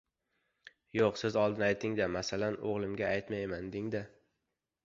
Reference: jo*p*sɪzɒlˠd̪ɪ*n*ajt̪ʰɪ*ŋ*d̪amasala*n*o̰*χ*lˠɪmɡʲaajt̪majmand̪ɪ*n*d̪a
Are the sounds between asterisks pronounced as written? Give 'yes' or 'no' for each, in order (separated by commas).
no, yes, yes, yes, no, no